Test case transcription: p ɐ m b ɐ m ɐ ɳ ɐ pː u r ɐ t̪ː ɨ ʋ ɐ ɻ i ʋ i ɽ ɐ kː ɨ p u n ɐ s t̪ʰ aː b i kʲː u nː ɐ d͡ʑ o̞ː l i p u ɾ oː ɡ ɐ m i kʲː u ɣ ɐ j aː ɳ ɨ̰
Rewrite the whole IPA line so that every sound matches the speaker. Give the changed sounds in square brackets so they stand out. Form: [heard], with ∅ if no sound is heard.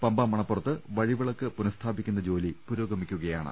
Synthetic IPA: p ɐ m b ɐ m ɐ ɳ ɐ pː u r ɐ t̪ː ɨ ʋ ɐ ɻ i ʋ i [ɭ] ɐ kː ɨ p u n ɐ s t̪ʰ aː b i kʲː u nː ɐ d͡ʑ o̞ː l i p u ɾ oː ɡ ɐ m i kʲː u ɣ ɐ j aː ɳ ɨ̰